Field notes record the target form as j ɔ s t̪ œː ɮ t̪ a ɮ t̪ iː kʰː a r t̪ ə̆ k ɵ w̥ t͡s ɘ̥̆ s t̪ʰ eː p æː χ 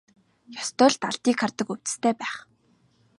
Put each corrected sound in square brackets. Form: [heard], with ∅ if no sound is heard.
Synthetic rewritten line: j ɔ s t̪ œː ɮ t̪ a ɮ t̪ iː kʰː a r t̪ ə̆ k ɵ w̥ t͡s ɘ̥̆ s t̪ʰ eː p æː χ